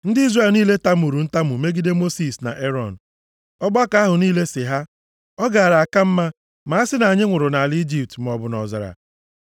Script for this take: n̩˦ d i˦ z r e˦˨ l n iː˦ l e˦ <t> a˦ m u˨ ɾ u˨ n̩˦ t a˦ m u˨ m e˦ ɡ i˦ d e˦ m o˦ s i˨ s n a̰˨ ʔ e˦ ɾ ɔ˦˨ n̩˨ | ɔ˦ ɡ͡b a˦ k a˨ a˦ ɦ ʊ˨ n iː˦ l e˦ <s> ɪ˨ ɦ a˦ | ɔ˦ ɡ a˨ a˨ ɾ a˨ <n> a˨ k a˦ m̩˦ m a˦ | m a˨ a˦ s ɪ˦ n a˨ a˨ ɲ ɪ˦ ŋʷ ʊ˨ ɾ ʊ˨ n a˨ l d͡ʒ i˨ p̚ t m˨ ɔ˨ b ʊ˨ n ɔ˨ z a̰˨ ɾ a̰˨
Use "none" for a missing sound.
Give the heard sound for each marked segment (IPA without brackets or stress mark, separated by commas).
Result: t, s, none